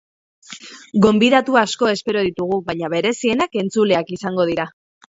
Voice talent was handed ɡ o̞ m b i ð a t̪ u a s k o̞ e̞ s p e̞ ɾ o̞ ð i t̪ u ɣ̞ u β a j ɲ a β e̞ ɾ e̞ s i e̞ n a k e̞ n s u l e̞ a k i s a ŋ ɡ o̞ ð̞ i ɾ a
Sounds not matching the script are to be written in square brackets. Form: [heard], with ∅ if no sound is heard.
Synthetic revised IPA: ɡ o̞ m b i ð a t̪ u a s k o̞ e̞ s p e̞ ɾ o̞ ð i t̪ u ɣ̞ u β a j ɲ a β e̞ ɾ e̞ s i e̞ n a k e̞ n [t͡s] u l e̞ a k i s a ŋ ɡ o̞ ð̞ i ɾ a